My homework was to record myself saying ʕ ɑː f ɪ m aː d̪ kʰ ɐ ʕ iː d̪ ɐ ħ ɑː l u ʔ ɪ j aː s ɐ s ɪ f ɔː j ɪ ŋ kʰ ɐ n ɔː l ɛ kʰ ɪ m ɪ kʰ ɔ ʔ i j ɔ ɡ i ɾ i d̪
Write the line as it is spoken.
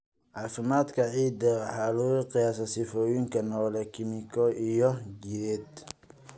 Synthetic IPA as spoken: ʕ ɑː f ɪ m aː d̪ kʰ ɐ ʕ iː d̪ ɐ ħ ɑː l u q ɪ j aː s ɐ s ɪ f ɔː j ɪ ŋ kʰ ɐ n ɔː l ɛ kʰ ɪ m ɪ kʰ ɔ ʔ i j ɔ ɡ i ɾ ɛ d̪